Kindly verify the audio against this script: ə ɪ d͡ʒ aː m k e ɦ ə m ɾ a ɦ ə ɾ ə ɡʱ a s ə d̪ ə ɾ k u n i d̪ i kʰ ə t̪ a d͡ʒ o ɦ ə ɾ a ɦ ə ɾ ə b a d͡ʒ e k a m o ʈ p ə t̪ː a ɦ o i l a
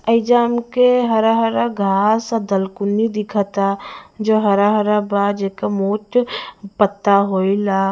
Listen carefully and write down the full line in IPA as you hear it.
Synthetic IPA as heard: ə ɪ d͡ʒ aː m k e ɦ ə ɾ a ɦ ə ɾ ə ɡʱ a s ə d̪ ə l k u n i d̪ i kʰ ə t̪ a d͡ʒ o ɦ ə ɾ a ɦ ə ɾ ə b a d͡ʒ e k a m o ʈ p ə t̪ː a ɦ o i l a